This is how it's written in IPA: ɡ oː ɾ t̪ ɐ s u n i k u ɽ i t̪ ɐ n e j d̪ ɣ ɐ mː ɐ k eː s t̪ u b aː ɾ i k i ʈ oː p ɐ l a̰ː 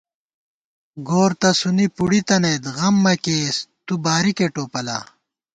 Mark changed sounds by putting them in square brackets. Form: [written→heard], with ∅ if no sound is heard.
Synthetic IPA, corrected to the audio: ɡ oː ɾ t̪ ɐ s u n i [k→p] u ɽ i t̪ ɐ n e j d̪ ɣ ɐ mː ɐ k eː s t̪ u b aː ɾ i k [i→e] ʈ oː p ɐ l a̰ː